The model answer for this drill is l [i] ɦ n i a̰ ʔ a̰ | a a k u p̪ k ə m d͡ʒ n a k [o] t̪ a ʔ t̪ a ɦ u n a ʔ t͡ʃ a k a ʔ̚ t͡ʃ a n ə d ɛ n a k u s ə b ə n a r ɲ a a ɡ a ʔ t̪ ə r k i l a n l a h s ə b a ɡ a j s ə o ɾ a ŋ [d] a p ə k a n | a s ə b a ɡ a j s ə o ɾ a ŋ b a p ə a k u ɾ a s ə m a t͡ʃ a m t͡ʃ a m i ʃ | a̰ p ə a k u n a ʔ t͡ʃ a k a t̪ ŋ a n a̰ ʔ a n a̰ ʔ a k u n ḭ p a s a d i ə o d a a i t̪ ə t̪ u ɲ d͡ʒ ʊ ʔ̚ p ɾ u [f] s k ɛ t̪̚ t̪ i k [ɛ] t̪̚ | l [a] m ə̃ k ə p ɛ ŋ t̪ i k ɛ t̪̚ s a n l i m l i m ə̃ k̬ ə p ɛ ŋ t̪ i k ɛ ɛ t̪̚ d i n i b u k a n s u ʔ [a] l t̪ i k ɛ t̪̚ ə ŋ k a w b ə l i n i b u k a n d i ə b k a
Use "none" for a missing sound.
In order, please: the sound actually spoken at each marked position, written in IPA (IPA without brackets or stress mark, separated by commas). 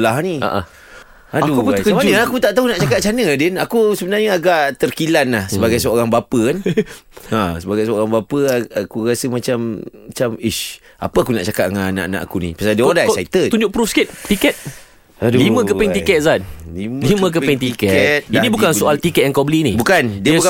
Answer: a, u, b, f, ɛ, i, a